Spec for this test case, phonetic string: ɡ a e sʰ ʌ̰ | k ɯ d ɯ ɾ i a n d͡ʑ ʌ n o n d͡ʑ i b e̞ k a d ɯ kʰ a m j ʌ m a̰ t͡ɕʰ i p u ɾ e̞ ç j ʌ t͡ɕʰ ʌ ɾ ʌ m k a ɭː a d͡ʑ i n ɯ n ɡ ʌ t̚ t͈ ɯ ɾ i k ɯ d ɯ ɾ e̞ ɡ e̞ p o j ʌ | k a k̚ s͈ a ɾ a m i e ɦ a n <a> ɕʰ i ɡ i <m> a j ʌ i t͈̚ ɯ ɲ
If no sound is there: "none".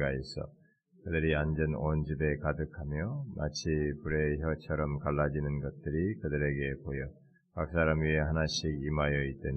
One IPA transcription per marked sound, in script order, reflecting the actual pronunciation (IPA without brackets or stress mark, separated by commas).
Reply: a, m